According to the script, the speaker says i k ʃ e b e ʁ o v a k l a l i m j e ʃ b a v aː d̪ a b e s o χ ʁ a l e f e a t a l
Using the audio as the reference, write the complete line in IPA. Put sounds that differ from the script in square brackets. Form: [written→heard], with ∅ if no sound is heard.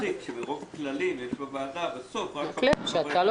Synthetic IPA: i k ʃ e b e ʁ o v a k l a l i m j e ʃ b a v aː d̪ a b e s o [χ→f] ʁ a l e [f→ʃ] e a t a l

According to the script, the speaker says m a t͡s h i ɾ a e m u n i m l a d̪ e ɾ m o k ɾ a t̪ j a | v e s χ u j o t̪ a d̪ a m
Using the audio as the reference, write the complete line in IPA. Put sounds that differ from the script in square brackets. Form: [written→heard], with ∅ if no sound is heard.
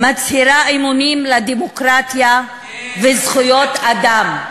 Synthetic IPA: m a t͡s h i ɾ a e m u n i m l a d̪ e [ɾ→∅] m o k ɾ a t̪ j a | v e [s→z] χ u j o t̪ a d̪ a m

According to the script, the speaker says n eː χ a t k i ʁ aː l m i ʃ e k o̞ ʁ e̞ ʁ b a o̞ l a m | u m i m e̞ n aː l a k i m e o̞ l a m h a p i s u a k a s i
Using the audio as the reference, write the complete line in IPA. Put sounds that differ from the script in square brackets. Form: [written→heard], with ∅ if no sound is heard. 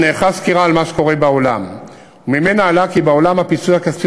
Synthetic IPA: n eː χ a [t→s] k i ʁ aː l m [i→a] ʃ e k o̞ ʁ e̞ [ʁ→∅] b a o̞ l a m | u m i m e̞ n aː l a k i [m→b] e o̞ l a m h a p i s u a k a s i

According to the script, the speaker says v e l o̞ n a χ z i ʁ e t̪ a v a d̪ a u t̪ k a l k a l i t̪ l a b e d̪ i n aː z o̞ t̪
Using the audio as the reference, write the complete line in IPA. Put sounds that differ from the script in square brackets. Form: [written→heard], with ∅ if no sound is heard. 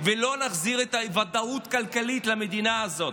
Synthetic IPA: v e l o̞ n a χ z i ʁ e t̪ a v a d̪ a u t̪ k a l k a l i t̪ l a [b→m] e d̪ i n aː z o̞ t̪

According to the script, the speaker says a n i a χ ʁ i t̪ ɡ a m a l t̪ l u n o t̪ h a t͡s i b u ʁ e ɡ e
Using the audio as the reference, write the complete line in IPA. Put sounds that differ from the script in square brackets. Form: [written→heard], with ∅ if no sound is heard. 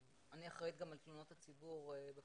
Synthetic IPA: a n i a χ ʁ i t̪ ɡ a m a l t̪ l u n o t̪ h a t͡s i b u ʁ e [ɡ→b] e

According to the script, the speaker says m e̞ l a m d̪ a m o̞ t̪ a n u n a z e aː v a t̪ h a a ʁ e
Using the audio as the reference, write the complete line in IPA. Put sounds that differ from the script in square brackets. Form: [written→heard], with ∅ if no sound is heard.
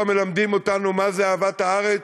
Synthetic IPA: m e̞ l a m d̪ [a→i] m o̞ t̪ a n u [n→m] a z e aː v a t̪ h a a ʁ e

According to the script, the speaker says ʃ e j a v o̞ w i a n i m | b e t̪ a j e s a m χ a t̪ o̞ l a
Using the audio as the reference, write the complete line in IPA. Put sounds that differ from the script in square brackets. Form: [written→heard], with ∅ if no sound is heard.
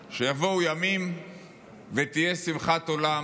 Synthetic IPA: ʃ e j a v o̞ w [i→j] a [n→m] i m | [b→v] e t̪ [a→i] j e s [a→i] m χ a t̪ o̞ l a

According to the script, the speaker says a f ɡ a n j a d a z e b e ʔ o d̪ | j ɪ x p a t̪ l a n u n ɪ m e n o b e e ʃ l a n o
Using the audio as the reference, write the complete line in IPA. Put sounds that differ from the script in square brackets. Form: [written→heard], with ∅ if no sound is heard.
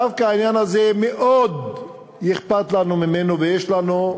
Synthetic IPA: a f [ɡ→k] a n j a [d→n] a z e [b→m] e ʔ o d̪ | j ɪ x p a t̪ l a n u [n→m] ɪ m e n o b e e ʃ l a n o

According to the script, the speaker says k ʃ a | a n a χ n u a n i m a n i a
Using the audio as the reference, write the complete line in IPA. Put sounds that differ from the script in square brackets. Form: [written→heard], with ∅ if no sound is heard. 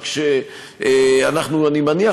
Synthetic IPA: k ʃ [a→e] | a n a χ n u a n i m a n i a

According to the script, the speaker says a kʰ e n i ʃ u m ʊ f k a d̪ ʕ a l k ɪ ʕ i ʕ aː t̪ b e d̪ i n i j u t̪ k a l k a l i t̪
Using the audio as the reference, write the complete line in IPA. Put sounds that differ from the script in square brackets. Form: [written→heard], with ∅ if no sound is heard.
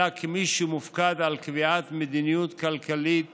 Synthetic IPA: a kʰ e [n→m] i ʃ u m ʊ f k a d̪ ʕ a l k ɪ [ʕ→v] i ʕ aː t̪ [b→m] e d̪ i n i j u t̪ k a l k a l i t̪

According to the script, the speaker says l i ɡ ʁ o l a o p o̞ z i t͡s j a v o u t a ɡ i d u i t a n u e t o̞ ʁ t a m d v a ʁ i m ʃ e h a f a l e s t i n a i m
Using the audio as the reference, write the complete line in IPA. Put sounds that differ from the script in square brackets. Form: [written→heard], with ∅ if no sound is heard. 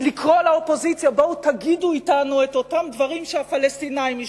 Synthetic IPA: l i [ɡ→k] ʁ o l a o p o̞ z i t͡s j a [v→b] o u t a ɡ i d u i t a n u e t o̞ [ʁ→∅] t a m d v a ʁ i m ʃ e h a f a l e s t i n a i m

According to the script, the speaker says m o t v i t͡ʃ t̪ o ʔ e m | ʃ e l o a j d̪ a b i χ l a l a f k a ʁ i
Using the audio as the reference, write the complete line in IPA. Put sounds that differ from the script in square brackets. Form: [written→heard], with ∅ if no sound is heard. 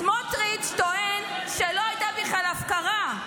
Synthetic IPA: m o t [v→ʁ] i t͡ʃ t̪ o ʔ e [m→n] | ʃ e l o a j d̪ a b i χ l a l a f k a ʁ [i→a]

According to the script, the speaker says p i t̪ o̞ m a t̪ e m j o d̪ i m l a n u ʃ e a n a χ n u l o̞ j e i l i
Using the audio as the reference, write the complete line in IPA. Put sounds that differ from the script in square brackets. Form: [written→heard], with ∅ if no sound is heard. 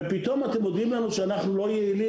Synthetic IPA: p i t̪ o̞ m a t̪ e m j o d̪ i m l a n u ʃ e a n a χ n u l o̞ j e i l i

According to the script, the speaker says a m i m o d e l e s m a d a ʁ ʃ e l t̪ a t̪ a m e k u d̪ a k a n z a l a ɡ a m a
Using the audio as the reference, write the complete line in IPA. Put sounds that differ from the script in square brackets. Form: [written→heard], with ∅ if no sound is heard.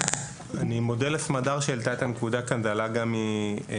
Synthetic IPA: a [m→n] i m o d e l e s m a d a ʁ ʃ e l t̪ a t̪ a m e k u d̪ a k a n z a l a ɡ a m [a→i]

